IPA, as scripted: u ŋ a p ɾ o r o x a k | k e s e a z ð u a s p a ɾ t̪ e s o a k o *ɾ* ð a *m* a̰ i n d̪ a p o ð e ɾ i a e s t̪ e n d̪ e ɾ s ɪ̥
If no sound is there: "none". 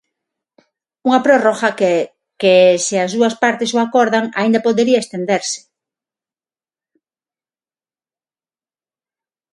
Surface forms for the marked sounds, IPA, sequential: ɾ, ŋ

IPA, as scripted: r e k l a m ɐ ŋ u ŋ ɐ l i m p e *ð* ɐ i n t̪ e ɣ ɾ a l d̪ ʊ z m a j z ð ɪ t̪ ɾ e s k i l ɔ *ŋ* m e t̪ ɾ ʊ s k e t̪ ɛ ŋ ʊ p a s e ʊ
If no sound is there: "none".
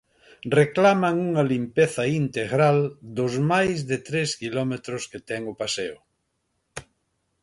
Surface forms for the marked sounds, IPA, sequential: θ, none

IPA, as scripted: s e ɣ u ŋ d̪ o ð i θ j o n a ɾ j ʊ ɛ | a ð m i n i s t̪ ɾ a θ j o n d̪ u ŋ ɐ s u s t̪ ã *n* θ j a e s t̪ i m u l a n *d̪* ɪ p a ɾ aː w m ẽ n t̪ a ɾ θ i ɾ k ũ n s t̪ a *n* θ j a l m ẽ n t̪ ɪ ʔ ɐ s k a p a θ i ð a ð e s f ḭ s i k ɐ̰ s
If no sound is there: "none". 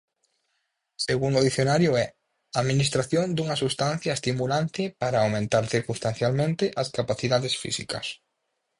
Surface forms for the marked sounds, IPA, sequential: n, t̪, n

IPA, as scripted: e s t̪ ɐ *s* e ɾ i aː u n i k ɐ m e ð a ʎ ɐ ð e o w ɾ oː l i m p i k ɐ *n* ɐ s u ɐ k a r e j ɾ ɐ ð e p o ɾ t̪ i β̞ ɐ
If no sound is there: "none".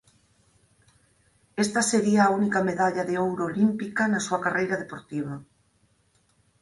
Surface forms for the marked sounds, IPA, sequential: s, n

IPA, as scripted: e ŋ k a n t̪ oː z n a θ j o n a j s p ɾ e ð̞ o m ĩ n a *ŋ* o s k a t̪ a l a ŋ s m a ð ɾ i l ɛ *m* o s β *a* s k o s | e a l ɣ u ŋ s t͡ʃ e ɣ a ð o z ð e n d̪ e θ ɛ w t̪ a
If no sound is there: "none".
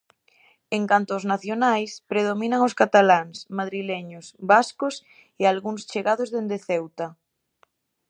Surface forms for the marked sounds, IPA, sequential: ŋ, ɲ, a

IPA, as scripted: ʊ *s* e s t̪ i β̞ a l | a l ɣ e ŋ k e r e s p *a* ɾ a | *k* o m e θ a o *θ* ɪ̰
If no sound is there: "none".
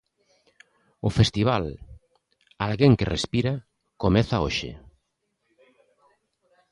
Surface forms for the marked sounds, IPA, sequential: f, i, k, ʃ

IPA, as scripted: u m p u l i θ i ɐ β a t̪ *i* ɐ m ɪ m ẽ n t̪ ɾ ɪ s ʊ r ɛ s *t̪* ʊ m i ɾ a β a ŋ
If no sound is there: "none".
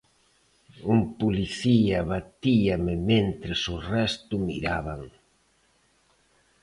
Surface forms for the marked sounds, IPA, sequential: i, t̪

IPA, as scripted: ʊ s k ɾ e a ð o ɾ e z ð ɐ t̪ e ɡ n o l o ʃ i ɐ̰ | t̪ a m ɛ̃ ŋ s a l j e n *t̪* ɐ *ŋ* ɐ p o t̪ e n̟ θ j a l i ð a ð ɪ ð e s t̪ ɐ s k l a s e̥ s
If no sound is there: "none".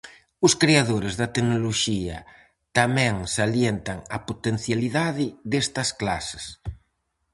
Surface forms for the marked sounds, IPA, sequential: t̪, ŋ

